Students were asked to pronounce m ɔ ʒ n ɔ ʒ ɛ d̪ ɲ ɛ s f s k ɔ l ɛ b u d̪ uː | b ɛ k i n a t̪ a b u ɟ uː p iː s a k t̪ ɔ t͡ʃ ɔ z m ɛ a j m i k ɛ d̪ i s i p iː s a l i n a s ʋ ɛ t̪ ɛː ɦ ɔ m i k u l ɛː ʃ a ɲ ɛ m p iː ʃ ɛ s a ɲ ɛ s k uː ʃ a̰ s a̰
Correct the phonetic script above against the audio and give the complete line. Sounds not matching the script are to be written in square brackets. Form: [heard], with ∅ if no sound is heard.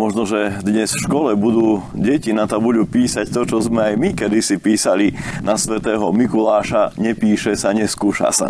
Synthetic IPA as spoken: m ɔ ʒ n ɔ ʒ ɛ d̪ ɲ ɛ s f [ʃ] k ɔ l ɛ b u d̪ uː | [ɟ] ɛ [c] i n a t̪ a b u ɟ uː p iː s a [c] t̪ ɔ t͡ʃ ɔ z m ɛ a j m i k ɛ d̪ i s i p iː s a l i n a s ʋ ɛ t̪ ɛː ɦ ɔ m i k u l [aː] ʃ a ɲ ɛ [∅] p iː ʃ ɛ s a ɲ ɛ s k uː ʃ a̰ s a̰